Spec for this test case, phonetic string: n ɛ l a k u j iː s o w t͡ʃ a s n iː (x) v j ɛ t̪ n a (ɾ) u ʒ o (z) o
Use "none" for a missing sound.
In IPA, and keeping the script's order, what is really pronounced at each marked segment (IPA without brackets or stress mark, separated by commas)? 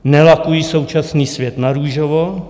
s, ɾ, v